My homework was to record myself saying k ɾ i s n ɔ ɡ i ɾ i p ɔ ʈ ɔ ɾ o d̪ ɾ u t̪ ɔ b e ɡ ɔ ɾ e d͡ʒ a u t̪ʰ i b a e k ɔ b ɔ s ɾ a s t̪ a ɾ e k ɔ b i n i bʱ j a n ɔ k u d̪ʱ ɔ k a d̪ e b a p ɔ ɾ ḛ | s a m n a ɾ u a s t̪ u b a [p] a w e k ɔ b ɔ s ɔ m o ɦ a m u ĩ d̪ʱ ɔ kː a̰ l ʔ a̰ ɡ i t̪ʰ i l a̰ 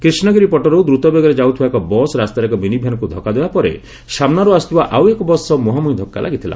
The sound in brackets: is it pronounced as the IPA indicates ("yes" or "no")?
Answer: no